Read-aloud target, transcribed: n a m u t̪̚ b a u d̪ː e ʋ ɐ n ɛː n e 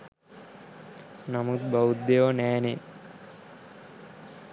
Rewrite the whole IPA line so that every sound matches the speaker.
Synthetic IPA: n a m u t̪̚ b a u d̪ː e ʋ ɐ n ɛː n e